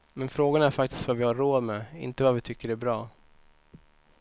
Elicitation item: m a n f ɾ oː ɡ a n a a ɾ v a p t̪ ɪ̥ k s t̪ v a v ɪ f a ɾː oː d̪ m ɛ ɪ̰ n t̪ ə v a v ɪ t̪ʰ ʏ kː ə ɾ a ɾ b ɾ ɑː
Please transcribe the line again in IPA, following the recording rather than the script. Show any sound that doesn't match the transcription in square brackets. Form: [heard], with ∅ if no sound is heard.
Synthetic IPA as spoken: m [ɛ] n f ɾ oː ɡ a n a [æ] ɾ [f] a [k] t̪ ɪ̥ [∅] s t̪ v a v ɪ [h] a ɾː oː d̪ m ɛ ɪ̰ n t̪ ə v a v ɪ t̪ʰ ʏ kː ə ɾ [æ] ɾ b ɾ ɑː